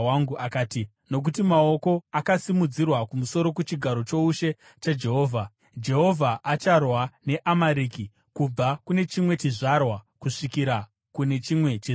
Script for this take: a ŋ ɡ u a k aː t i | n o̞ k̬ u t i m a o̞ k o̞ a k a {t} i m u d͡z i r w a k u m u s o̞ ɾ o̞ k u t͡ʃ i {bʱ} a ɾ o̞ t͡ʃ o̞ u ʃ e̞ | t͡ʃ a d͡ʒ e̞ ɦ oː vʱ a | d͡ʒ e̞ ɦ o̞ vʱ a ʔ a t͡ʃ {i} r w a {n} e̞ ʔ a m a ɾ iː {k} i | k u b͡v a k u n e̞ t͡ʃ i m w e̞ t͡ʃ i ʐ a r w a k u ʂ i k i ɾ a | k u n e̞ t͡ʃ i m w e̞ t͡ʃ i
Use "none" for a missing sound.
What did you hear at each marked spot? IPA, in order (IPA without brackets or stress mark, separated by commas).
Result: s, ɡʱ, a, n, k